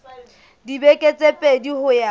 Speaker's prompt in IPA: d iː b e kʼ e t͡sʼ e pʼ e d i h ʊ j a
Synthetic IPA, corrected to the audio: d i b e kʼ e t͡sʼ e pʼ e d i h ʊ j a